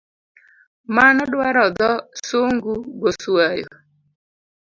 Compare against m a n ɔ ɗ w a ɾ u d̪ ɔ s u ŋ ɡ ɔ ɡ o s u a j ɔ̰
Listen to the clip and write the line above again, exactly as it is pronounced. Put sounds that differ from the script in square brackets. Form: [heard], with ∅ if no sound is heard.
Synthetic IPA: m a n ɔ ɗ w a ɾ [ɔ] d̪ ɔ s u ŋ ɡ [u] ɡ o s u a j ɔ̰